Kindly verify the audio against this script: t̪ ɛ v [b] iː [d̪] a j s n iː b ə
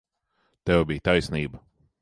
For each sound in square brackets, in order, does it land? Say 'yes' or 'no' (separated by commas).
yes, no